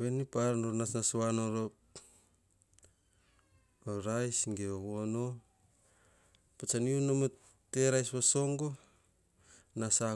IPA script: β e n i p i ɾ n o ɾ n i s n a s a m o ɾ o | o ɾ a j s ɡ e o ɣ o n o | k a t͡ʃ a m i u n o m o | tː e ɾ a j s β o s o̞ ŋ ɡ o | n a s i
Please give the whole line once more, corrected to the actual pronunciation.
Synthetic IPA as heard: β e n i p a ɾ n o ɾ n a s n a s a n o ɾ o | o ɾ a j s ɡ e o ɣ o n o | p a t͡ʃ a n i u n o m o | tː e ɾ a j s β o s o̞ ŋ ɡ o | n a s a